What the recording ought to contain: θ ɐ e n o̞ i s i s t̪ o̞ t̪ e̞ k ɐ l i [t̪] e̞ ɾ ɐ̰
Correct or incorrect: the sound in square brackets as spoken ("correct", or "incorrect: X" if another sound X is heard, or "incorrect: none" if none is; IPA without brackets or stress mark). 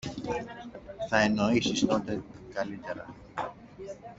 correct